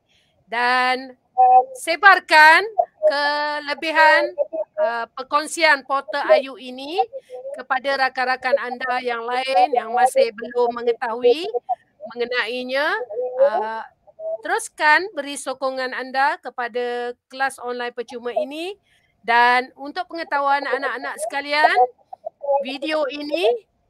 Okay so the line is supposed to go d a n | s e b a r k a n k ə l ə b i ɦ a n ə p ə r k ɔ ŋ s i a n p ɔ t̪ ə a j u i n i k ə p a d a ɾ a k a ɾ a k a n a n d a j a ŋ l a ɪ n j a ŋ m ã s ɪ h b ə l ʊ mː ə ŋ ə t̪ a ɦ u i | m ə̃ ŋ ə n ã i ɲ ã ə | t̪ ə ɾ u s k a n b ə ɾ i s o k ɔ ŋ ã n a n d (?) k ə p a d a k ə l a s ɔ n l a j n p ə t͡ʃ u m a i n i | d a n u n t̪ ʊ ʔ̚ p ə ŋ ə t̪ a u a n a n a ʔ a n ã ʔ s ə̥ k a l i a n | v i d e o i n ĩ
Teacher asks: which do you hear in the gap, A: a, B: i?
A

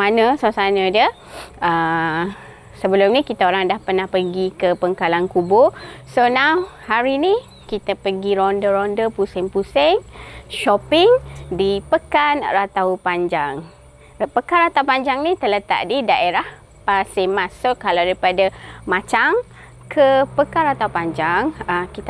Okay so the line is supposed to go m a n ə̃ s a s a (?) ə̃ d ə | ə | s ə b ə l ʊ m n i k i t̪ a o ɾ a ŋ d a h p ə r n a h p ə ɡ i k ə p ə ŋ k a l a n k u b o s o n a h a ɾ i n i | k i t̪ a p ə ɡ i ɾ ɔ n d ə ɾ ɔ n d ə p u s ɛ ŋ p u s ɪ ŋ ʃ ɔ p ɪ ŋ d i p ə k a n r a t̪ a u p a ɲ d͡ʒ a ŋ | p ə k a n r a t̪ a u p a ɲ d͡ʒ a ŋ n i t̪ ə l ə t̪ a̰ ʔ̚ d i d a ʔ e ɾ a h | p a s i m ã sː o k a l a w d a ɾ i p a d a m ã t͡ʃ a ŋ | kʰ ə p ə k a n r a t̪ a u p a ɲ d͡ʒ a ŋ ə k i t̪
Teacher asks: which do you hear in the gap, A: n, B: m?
A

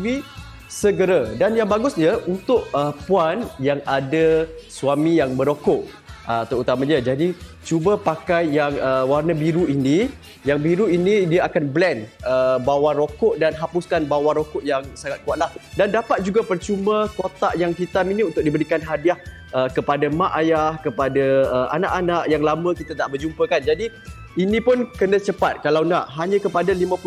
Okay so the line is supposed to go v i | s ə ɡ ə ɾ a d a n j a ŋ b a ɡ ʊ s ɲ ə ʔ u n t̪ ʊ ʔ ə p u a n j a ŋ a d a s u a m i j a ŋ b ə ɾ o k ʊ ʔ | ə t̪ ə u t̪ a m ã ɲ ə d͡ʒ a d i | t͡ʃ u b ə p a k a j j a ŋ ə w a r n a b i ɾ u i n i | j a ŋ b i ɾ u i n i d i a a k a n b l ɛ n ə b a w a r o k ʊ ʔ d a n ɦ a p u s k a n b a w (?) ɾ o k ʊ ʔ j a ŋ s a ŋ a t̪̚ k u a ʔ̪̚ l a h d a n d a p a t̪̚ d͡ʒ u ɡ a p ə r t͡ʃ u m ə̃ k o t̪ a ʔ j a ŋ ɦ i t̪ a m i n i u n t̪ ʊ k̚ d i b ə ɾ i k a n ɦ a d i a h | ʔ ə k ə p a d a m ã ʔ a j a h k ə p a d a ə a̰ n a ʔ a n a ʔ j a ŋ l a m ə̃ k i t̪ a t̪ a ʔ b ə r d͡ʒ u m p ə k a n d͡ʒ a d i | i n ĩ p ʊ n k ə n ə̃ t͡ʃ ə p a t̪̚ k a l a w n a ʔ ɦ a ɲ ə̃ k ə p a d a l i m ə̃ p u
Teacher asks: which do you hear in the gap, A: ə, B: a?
B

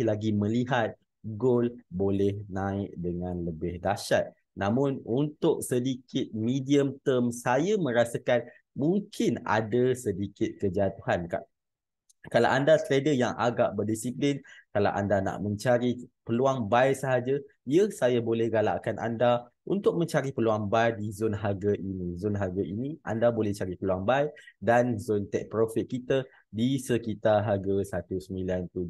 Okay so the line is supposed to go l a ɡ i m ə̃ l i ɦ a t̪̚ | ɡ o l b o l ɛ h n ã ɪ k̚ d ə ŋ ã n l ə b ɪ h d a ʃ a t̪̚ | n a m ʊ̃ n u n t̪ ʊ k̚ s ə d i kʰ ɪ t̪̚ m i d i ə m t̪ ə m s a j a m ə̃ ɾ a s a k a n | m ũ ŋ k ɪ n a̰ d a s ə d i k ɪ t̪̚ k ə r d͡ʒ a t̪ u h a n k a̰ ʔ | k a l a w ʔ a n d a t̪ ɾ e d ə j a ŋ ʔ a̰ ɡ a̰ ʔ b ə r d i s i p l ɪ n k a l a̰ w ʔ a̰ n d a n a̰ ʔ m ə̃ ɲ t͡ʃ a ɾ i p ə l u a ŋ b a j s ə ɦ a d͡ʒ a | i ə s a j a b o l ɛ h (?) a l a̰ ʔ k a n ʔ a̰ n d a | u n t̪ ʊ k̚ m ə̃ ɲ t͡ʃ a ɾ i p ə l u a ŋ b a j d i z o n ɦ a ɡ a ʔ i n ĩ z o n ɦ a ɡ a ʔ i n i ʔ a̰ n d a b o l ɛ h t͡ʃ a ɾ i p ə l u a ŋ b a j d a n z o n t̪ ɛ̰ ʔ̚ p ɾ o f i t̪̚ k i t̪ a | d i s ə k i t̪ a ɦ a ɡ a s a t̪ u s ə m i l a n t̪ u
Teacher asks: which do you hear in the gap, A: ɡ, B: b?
A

